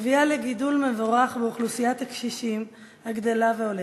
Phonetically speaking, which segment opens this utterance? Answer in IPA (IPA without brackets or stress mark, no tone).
v